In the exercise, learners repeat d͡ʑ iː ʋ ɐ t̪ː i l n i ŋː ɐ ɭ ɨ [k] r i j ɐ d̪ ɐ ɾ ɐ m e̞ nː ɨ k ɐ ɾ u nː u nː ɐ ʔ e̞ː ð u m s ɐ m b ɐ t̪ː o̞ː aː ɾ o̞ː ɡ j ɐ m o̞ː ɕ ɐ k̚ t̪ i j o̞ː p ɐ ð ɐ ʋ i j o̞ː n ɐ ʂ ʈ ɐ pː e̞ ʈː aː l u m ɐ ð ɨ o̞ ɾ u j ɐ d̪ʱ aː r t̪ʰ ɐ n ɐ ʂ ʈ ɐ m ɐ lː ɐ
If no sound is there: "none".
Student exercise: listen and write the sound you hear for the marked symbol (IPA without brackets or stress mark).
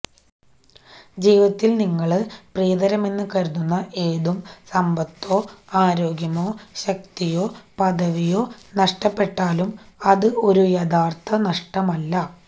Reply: p